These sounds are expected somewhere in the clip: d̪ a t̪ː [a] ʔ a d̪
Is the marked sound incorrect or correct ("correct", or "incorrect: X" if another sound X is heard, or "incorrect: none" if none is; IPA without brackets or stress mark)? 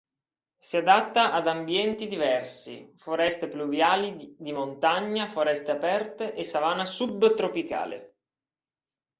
correct